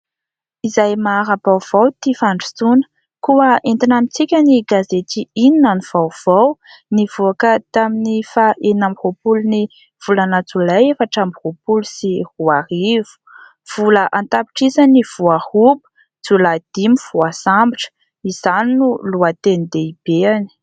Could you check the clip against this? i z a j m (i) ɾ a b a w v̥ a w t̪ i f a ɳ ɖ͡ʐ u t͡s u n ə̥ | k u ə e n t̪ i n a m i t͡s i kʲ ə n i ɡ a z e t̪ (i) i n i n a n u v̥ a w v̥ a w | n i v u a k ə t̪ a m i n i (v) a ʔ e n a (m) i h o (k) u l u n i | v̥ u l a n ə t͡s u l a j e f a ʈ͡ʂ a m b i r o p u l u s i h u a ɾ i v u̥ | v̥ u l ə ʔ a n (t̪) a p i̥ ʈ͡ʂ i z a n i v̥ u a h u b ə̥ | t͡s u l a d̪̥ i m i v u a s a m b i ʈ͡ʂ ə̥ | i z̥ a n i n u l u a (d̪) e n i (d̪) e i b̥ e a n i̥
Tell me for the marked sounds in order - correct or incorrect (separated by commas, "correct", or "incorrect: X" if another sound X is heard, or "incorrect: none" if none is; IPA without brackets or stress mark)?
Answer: incorrect: a, correct, incorrect: f, correct, incorrect: p, correct, incorrect: t̪, correct